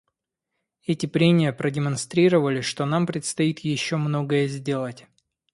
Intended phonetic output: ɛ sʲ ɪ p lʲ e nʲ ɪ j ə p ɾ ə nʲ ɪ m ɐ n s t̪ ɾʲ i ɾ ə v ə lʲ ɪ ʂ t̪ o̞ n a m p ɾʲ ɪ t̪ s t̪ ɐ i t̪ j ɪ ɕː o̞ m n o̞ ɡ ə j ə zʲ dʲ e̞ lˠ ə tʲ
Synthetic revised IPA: ɛ tʲ ɪ p ɾʲ e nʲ ɪ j ə p ɾ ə dʲ ɪ m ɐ n s t̪ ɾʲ i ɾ ə v ə lʲ ɪ ʂ t̪ o̞ n a m p ɾʲ ɪ t̪ s t̪ ɐ i t̪ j ɪ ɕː o̞ m n o̞ ɡ ə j ə zʲ dʲ e̞ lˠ ə tʲ